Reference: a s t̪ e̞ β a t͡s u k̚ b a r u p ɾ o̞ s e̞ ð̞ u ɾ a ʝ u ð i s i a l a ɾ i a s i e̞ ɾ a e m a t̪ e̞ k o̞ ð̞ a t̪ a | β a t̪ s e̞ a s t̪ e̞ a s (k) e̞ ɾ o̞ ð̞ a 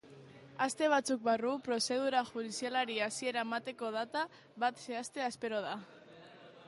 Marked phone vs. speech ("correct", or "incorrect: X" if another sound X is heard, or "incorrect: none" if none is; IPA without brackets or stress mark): incorrect: p